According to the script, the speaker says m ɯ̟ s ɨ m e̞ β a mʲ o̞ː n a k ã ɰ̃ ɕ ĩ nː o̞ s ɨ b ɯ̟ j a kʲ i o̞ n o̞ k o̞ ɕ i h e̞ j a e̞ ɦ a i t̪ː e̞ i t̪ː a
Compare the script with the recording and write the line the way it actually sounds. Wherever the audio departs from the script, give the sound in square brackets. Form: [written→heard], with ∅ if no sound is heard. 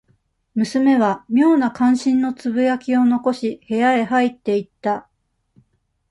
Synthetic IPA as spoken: m ɯ̟ s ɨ m e̞ β a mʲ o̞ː n a k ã ɰ̃ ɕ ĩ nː o̞ [s→t͡s] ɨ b ɯ̟ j a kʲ i o̞ n o̞ k o̞ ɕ i h e̞ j a e̞ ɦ a i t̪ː e̞ i t̪ː a

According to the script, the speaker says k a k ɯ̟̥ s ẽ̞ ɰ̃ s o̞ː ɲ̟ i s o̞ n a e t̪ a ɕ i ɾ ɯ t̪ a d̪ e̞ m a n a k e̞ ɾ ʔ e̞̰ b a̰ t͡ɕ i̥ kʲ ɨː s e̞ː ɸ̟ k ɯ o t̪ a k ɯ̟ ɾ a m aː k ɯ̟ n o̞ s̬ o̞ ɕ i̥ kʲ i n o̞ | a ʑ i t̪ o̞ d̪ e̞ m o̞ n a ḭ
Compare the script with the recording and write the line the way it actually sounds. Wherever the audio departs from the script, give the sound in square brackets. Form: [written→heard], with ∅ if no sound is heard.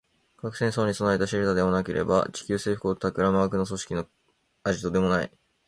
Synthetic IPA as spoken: k a k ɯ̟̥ s ẽ̞ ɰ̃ s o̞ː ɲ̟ i s o̞ n a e t̪ a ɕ i ɾ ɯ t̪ a d̪ e̞ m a n a k e̞ ɾ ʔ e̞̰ b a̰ t͡ɕ i̥ kʲ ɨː s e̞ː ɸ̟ k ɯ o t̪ a k ɯ̟ ɾ a m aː k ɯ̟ n o̞ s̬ o̞ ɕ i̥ kʲ i n o̞ | a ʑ i t̪ o̞ d̪ e̞ m o̞ n a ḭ

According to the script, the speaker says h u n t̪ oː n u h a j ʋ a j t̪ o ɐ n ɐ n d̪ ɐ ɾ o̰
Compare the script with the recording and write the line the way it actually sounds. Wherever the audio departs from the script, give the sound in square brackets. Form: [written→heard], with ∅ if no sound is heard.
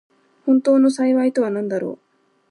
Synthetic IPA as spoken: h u n t̪ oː n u [h→s] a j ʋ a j t̪ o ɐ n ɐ n d̪ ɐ ɾ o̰

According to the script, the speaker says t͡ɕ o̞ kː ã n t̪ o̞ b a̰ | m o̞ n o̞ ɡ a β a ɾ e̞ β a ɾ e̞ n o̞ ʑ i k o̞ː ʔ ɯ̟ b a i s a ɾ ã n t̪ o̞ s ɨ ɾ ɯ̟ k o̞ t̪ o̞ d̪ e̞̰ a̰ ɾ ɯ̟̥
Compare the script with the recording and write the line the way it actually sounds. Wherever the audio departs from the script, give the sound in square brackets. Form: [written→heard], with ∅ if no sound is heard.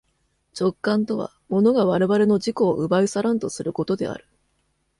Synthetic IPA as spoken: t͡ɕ o̞ kː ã n t̪ o̞ [b→β] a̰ | m o̞ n o̞ ɡ a β a ɾ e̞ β a ɾ e̞ n o̞ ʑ i k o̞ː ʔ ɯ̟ b a i s a ɾ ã n t̪ o̞ s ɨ ɾ ɯ̟ k o̞ t̪ o̞ d̪ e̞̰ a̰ ɾ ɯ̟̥

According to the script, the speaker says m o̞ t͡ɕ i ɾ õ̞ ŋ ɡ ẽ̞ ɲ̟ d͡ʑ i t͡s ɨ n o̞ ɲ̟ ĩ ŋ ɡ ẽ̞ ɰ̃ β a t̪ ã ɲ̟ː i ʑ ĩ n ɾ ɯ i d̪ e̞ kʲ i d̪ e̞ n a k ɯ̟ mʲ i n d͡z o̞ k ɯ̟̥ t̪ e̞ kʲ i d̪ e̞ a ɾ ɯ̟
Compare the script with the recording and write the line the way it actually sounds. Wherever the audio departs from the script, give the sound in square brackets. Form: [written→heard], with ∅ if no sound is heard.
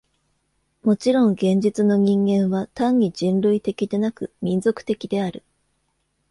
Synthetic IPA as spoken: m o̞ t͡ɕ i ɾ õ̞ ŋ ɡ ẽ̞ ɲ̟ d͡ʑ i t͡s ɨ n o̞ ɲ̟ ĩ ŋ ɡ ẽ̞ ɰ̃ β a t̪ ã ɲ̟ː i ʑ ĩ n ɾ ɯ i [d̪→t̪] e̞ kʲ i d̪ e̞ n a k ɯ̟ mʲ [i→ĩ] n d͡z o̞ k ɯ̟̥ t̪ e̞ kʲ i d̪ e̞ a ɾ ɯ̟

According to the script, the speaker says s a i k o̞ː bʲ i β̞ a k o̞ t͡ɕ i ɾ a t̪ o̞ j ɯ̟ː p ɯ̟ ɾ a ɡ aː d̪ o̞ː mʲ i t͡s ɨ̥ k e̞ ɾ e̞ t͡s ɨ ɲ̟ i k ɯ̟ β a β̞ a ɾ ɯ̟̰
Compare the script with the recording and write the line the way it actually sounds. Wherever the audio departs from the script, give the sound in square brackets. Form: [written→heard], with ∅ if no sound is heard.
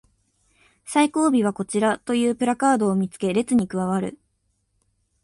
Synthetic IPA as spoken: s a i k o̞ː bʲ i β̞ a k o̞ t͡ɕ i ɾ a t̪ o̞ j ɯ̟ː p ɯ̟ ɾ a [ɡ→k] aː d̪ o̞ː mʲ i t͡s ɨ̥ k e̞ ɾ e̞ t͡s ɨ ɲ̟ i k ɯ̟ β a β̞ a ɾ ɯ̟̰

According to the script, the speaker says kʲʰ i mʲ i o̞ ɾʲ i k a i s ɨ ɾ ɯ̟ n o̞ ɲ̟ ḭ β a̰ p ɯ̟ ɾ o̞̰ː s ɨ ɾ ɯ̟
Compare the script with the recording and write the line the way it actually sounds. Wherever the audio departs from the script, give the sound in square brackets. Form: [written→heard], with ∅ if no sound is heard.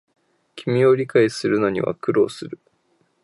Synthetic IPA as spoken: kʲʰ i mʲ i o̞ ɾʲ i k a i s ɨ ɾ ɯ̟ n o̞ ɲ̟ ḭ β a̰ [p→k] ɯ̟ ɾ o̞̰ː s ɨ ɾ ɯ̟

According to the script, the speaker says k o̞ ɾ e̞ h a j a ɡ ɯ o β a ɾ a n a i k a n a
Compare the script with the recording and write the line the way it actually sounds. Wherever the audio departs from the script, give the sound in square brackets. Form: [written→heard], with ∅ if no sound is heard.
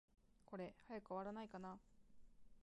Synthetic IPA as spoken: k o̞ ɾ e̞ h a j a [ɡ→k] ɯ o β a ɾ a n a i k a n a

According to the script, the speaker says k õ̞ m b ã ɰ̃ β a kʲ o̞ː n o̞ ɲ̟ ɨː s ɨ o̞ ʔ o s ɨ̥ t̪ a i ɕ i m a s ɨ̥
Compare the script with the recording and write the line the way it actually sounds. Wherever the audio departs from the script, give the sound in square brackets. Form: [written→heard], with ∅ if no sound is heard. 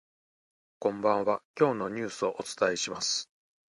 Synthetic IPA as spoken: k õ̞ m b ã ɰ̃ β a kʲ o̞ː n o̞ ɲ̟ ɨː s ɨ o̞ ʔ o [s→t͡s] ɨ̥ t̪ a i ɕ i m a s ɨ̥

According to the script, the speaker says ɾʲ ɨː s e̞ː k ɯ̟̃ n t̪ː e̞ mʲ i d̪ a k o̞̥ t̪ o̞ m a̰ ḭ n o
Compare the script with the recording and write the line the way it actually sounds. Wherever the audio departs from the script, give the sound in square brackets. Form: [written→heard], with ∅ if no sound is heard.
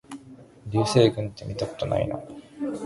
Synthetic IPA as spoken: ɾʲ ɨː s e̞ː [k→ɡ] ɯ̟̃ n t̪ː e̞ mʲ i [d̪→t̪] a k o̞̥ t̪ o̞ [m→n] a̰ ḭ n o

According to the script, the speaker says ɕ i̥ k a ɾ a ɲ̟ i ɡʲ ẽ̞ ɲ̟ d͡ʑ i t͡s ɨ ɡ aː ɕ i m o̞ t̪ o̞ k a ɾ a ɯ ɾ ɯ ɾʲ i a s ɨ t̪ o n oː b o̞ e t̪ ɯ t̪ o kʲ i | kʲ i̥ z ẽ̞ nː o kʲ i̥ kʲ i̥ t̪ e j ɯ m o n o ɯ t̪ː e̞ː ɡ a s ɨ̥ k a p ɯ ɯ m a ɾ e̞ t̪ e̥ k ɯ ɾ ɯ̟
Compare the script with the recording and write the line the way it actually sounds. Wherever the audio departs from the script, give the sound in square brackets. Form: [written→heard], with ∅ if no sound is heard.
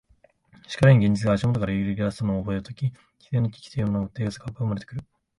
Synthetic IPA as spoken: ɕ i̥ k a ɾ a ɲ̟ i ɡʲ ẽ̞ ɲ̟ d͡ʑ i t͡s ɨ ɡ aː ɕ i m o̞ t̪ o̞ k a ɾ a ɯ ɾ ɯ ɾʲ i a s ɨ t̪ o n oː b o̞ e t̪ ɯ t̪ o kʲ i | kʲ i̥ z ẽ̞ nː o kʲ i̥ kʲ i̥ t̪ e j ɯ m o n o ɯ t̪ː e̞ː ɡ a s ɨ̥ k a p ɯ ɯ m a ɾ e̞ t̪ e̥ k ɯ ɾ ɯ̟

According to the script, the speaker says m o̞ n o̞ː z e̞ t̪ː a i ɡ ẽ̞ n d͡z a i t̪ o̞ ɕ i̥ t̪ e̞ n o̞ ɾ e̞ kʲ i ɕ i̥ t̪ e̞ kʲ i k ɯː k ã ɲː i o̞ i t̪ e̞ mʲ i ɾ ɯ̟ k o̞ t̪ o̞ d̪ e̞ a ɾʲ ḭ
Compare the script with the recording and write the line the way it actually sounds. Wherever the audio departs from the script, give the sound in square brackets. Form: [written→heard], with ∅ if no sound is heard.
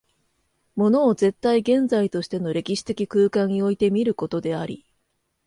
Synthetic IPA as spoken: m o̞ n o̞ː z e̞ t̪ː a i ɡ ẽ̞ n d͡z a i t̪ o̞ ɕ i̥ t̪ e̞ n o̞ ɾ e̞ kʲ i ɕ i̥ t̪ e̞ kʲ i k ɯː k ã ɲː i o̞ i t̪ e̞ mʲ i ɾ ɯ̟ k o̞ t̪ o̞ d̪ e̞ a ɾʲ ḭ

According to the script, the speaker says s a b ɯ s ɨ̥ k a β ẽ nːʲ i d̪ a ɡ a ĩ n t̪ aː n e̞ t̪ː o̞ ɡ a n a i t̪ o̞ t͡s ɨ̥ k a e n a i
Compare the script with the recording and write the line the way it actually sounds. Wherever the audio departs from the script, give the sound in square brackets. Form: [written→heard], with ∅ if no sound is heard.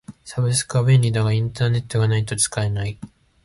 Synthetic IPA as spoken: s a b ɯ s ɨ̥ k a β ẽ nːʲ i d̪ a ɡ a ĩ n t̪ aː n e̞ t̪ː o̞ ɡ a n a i t̪ o̞ t͡s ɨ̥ k a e n a i

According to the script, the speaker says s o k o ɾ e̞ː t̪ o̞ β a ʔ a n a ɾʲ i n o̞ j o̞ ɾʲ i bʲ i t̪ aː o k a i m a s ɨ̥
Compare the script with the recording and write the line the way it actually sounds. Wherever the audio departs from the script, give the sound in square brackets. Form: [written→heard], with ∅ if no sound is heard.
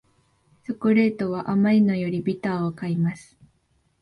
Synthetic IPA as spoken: s o k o ɾ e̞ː t̪ o̞ β a ʔ a [n→m] a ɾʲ i n o̞ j o̞ ɾʲ i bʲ i t̪ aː o k a i m a s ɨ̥

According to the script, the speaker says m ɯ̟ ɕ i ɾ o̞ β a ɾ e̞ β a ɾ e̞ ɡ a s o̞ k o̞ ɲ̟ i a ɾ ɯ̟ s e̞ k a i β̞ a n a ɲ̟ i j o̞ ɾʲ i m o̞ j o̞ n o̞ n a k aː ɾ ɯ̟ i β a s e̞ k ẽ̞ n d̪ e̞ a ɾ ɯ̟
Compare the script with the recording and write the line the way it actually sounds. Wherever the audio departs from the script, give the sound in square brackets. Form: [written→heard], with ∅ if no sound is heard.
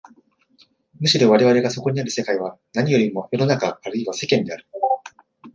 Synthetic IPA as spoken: m ɯ̟ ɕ i ɾ o̞ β a ɾ e̞ β a ɾ e̞ ɡ a s o̞ k o̞ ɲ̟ i a ɾ ɯ̟ s e̞ k a i β̞ a n a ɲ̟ i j o̞ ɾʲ i m o̞ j o̞ n o̞ n a k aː ɾ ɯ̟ i β a s e̞ k ẽ̞ n d̪ e̞ a ɾ ɯ̟

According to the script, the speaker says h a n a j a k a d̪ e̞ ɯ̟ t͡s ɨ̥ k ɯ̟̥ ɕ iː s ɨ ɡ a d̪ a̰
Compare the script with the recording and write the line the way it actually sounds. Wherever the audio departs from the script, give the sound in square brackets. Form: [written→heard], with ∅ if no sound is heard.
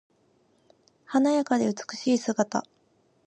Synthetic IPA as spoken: h a n a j a k a d̪ e̞ ɯ̟ t͡s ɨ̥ k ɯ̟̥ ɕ iː s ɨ ɡ a [d̪→t̪] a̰

